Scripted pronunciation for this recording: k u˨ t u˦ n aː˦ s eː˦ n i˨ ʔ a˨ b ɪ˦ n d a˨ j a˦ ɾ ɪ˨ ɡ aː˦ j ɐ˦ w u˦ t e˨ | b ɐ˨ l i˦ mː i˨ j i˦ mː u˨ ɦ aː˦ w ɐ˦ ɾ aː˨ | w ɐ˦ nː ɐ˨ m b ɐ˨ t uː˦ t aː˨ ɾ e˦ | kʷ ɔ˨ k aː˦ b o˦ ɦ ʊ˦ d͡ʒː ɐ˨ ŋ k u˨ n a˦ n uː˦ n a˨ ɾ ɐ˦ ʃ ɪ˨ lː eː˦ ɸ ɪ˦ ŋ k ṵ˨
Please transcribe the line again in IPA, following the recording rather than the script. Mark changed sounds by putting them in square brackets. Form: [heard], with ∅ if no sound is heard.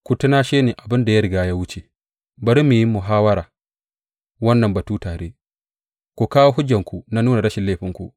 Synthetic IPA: k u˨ t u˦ n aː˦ [ʃ] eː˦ n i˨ ʔ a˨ b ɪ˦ n d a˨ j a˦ ɾ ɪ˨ ɡ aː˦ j [a˦] w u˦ [t͡ʃ] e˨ | b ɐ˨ [ɾ] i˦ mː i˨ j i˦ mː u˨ ɦ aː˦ w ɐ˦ ɾ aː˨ | w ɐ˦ nː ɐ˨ m b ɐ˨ t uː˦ t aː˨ ɾ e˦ | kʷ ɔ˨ k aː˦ [w] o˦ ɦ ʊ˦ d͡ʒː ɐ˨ ŋ k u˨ n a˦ n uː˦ n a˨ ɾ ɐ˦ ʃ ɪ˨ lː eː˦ ɸ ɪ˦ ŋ k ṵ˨